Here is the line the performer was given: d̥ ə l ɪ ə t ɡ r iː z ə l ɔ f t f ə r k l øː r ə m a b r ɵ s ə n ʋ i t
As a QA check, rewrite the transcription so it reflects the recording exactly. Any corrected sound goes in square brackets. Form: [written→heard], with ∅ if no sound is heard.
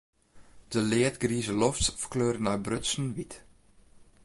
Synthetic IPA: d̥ ə l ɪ ə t ɡ r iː z ə l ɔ f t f ə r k l øː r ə [m→n] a b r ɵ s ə n ʋ i t